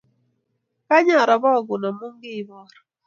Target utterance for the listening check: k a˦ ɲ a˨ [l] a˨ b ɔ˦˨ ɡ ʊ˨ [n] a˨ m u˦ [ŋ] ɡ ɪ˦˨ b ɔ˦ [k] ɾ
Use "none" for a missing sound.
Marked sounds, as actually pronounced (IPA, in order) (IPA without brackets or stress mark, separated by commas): ɾ, n, ŋ, none